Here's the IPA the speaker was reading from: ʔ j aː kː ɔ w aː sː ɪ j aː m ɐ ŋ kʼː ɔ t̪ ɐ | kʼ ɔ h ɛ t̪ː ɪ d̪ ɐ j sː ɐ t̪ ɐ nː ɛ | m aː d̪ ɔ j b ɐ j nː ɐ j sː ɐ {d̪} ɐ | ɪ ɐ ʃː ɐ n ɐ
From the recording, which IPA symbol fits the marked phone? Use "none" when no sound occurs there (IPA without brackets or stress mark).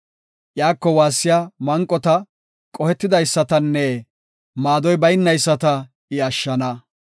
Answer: t̪